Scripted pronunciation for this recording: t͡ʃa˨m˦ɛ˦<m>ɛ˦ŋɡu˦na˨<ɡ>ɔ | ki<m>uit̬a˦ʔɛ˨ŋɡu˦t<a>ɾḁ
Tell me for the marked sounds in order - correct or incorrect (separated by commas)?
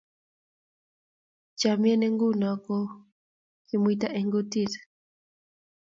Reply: incorrect, incorrect, correct, incorrect